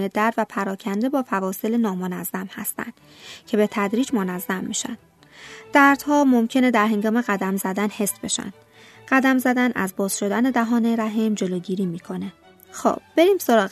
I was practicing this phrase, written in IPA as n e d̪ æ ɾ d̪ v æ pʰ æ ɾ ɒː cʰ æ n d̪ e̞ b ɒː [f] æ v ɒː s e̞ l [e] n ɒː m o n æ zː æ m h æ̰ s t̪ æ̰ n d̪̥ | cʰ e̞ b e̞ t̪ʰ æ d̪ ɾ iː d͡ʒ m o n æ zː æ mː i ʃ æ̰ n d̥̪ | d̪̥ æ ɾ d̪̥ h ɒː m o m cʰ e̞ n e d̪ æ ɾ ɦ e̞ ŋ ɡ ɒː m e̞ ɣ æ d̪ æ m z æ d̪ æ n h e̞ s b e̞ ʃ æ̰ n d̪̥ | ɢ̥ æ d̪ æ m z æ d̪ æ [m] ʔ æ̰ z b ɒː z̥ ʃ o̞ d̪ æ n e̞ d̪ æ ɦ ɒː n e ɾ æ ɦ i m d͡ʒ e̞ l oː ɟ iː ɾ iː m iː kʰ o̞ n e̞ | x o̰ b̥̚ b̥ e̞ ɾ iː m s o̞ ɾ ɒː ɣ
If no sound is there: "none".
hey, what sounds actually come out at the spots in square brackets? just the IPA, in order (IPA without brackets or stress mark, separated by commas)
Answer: f, e, n